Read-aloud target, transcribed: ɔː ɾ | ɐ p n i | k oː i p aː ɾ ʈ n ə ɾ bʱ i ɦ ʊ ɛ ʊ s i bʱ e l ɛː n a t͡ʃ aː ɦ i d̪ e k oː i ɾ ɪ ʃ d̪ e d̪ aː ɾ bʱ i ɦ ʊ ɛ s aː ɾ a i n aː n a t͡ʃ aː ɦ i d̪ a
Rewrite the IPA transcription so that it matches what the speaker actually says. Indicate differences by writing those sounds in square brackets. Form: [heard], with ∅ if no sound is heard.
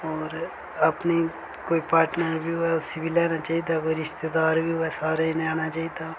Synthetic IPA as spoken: ɔː ɾ | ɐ p n i | k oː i p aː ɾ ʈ n ə ɾ bʱ i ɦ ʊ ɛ ʊ s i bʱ [i] l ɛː n a t͡ʃ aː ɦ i d̪ [a] k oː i ɾ ɪ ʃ [t̪] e d̪ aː ɾ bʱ i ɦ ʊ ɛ s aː ɾ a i n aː n a t͡ʃ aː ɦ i d̪ a